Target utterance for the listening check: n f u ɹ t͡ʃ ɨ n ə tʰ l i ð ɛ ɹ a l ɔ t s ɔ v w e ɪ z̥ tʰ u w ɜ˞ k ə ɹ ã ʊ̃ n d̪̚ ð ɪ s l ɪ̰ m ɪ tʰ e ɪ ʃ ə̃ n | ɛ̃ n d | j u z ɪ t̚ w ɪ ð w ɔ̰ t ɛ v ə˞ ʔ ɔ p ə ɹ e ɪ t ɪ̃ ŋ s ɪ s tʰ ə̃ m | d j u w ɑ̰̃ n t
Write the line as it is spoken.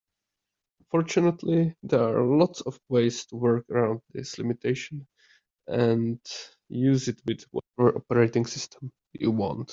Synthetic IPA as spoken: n f ɔ ɹ t͡ʃ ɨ n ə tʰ l i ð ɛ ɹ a l ɔ t s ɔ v w e ɪ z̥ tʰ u w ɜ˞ k ə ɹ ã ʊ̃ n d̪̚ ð ɪ s l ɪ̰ m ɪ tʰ e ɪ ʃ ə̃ n | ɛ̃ n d | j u z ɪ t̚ w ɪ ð w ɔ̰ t ɛ v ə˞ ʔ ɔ p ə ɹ e ɪ t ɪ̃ ŋ s ɪ s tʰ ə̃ m | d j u w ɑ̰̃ n t

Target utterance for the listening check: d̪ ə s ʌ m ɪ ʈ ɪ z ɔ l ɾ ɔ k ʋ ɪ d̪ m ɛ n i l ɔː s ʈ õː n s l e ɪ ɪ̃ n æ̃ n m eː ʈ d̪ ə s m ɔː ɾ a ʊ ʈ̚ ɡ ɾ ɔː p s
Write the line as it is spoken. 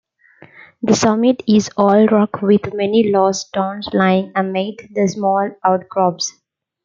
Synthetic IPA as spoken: d̪ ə s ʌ m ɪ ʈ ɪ z ɔː l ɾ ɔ k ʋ ɪ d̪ m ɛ n i l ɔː s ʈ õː n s l a ɪ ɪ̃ ŋ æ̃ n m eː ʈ d̪ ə s m ɔː l a ʊ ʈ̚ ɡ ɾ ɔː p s

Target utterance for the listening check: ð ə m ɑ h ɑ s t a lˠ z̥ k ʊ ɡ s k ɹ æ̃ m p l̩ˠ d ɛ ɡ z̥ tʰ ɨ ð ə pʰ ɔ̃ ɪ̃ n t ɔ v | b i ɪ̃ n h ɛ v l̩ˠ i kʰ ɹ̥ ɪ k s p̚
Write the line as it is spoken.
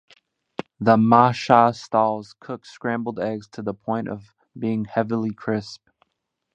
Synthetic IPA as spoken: ð ə m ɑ ʃ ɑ s t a lˠ z̥ kʰ ʊ k s k ɹ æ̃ m b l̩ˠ d ɛ ɡ z̥ tʰ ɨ ð ə pʰ ɔ̃ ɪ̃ n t ʌ v | b i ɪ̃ ŋ h ɛ v l̩ˠ i kʰ ɹ̥ ɪ s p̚

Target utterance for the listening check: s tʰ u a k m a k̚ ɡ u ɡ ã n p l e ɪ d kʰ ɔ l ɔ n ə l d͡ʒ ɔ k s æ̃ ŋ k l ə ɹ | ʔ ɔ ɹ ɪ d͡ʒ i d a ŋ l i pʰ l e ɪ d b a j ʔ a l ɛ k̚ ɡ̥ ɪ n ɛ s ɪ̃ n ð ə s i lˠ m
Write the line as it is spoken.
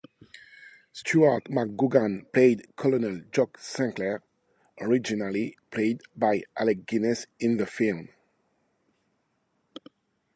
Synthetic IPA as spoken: s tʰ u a t m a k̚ ɡ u ɡ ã n p l e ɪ d kʰ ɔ l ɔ n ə l d͡ʒ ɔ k s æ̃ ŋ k l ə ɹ | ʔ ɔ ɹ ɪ d͡ʒ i n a l i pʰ l e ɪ d b a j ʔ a l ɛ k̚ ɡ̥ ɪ n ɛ s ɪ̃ n ð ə f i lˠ m

